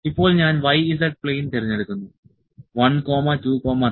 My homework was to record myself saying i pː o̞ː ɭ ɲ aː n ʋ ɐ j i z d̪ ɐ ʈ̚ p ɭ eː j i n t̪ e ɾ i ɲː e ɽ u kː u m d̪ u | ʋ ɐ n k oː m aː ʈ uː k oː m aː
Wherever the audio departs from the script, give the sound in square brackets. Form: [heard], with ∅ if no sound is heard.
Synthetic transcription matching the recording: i pː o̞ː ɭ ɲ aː n ʋ ɐ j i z d̪ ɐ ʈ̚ p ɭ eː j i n t̪ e ɾ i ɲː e ɽ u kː u [n] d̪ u | ʋ ɐ n k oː m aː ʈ uː k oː m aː